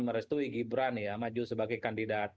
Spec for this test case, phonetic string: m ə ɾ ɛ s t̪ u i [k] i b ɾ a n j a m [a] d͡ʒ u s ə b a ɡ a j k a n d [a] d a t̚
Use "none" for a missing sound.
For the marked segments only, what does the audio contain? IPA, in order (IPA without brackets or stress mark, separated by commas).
ɡ, a, i